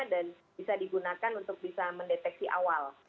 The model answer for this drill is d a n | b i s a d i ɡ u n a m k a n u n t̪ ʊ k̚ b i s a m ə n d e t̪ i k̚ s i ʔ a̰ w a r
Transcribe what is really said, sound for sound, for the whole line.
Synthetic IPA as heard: d a n | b i s a d i ɡ u n a k a n u n t̪ ʊ k̚ b i s a m ə n d e t̪ ɛ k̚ s i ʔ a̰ w a l